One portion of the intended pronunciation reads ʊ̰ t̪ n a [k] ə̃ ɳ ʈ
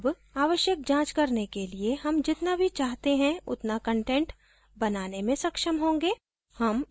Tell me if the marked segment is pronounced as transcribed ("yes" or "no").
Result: yes